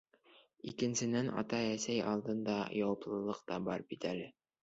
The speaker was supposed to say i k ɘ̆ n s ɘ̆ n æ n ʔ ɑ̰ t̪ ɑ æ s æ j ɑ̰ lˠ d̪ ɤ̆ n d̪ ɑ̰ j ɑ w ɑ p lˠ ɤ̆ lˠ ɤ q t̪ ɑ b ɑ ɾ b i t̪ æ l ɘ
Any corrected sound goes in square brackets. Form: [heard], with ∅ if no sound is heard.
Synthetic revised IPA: i k ɘ̆ n s ɘ̆ n æ n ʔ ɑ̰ t̪ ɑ æ s æ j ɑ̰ lˠ d̪ ɤ̆ n d̪ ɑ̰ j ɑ w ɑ p lˠ ɤ̆ lˠ ɤ q t̪ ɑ b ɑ ɾ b i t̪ æ l ɘ